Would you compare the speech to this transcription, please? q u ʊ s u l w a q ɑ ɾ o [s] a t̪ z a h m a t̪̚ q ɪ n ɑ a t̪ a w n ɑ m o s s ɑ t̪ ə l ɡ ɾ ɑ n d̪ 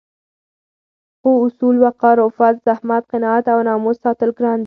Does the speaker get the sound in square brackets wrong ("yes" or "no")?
yes